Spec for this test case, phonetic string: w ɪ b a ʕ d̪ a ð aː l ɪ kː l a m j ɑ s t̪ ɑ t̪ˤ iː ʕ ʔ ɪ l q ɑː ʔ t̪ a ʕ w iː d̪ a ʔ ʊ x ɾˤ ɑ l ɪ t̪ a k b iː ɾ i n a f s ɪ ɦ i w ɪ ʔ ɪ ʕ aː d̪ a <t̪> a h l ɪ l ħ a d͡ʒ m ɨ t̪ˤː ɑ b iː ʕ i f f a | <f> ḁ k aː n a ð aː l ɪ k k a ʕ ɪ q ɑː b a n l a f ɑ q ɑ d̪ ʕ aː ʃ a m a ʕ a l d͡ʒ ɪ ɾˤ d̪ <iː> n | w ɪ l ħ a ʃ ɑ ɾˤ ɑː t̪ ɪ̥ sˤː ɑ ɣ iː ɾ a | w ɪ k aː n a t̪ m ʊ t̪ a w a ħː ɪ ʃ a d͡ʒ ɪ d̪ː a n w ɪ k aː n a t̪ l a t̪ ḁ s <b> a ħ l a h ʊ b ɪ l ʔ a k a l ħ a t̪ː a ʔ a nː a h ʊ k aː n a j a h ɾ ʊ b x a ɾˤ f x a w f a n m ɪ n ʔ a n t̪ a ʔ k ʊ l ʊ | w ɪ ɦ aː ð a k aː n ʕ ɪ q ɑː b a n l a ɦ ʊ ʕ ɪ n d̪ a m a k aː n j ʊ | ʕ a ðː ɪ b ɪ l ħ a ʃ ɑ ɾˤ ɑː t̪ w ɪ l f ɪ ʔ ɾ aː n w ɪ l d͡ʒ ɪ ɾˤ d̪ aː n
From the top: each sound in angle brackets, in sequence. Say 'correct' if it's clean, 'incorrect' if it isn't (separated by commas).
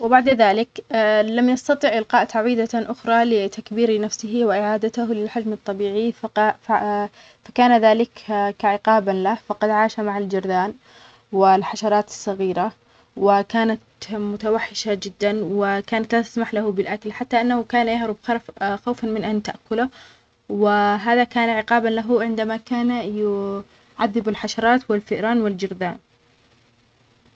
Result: correct, correct, incorrect, incorrect